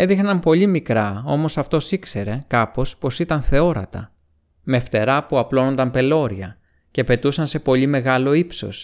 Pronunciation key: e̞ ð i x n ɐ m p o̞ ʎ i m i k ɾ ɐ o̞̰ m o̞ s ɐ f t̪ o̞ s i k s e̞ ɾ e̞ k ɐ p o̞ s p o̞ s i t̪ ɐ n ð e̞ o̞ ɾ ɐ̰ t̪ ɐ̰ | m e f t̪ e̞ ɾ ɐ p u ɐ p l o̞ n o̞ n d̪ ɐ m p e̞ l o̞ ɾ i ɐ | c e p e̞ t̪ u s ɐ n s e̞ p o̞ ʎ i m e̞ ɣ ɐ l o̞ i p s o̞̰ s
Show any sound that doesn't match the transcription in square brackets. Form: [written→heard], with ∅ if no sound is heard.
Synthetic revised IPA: e̞ ð i x n ɐ m p o̞ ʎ i m i k ɾ ɐ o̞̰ m o̞ s ɐ f t̪ o̞ s i k s e̞ ɾ e̞ k ɐ p o̞ s p o̞ s i t̪ ɐ n [ð→θ] e̞ o̞ ɾ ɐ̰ t̪ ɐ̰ | m e f t̪ e̞ ɾ ɐ p u ɐ p l o̞ n o̞ n d̪ ɐ m p e̞ l o̞ ɾ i ɐ | c e p e̞ t̪ u s ɐ n s e̞ p o̞ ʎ i m e̞ ɣ ɐ l o̞ i p s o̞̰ s